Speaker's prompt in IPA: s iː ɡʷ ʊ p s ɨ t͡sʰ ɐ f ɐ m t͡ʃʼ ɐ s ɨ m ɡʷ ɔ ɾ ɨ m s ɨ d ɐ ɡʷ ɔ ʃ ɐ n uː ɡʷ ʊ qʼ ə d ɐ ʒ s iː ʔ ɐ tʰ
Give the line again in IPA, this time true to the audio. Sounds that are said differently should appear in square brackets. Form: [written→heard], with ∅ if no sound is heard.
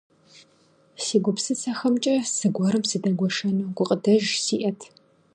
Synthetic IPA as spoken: s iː ɡʷ ʊ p s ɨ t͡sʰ ɐ [f→x] ɐ m t͡ʃʼ ɐ s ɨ [m→∅] ɡʷ ɔ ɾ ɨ m s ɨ d ɐ ɡʷ ɔ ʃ ɐ n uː ɡʷ ʊ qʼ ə d ɐ ʒ s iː ʔ ɐ tʰ

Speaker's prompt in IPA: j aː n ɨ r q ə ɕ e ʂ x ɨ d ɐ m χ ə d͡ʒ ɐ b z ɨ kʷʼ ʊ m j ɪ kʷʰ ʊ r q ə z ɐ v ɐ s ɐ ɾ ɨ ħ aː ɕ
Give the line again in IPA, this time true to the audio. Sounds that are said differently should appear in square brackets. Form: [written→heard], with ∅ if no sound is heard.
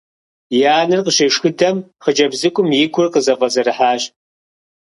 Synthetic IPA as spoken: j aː n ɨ r q ə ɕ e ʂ x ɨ d ɐ m χ ə d͡ʒ ɐ b z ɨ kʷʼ ʊ m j ɪ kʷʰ ʊ r q ə z ɐ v ɐ [s→z] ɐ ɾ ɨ ħ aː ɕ

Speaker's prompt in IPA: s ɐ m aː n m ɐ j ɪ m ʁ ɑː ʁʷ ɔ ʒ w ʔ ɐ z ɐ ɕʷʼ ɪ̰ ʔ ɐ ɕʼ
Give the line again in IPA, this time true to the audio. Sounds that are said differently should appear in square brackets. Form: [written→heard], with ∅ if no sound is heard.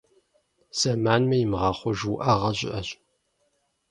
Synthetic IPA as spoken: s ɐ m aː n m ɐ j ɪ m ʁ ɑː [ʁʷ→χʷ] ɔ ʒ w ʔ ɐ [z→ʁ] ɐ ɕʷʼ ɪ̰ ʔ ɐ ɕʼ

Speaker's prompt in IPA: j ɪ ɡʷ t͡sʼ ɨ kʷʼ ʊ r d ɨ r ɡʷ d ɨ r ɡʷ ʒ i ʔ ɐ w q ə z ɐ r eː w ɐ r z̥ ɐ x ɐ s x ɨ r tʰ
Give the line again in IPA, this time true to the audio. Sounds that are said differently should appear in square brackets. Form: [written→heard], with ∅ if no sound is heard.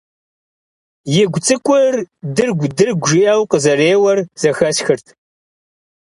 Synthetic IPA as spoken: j ɪ ɡʷ t͡sʼ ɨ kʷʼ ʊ r d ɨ r ɡʷ d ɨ r ɡʷ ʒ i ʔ ɐ w q ə z ɐ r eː w ɐ r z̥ ɐ x ɐ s x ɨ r tʰ

